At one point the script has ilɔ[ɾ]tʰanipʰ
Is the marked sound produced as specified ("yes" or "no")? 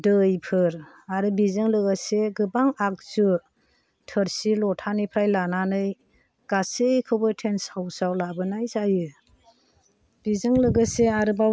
no